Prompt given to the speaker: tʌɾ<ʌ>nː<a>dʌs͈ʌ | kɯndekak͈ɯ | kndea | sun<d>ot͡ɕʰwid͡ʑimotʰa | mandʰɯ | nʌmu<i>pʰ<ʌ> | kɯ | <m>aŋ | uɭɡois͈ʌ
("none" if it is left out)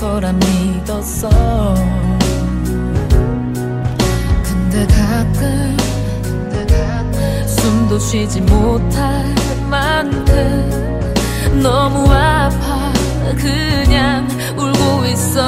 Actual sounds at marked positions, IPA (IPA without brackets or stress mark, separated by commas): a, i, d, a, a, ɲ